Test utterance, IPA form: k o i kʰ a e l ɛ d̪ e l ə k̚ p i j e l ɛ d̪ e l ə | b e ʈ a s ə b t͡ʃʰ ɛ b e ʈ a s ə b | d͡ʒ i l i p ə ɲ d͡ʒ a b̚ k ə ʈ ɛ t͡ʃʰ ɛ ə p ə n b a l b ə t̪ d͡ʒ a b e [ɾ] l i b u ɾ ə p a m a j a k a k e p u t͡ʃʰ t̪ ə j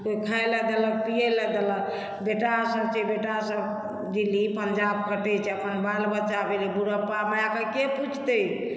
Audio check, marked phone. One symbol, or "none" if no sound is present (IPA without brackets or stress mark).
none